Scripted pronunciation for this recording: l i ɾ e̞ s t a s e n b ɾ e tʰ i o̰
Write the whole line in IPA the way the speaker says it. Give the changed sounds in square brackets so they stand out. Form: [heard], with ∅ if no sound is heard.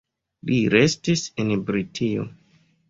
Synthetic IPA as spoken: l i ɾ e̞ s t [i] s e n b ɾ [i] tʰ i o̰